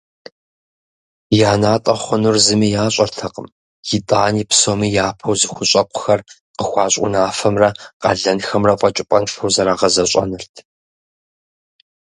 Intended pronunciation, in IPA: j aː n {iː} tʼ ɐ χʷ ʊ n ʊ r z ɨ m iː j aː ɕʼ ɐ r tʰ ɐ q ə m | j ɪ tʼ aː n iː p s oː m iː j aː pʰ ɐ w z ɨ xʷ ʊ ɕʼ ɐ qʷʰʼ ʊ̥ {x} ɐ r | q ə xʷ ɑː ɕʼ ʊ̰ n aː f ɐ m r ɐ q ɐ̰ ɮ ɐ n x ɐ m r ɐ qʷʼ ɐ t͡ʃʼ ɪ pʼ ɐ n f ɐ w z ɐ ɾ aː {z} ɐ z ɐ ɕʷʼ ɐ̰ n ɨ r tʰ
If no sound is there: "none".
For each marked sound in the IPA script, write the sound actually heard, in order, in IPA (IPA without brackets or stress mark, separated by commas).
aː, x, ʁ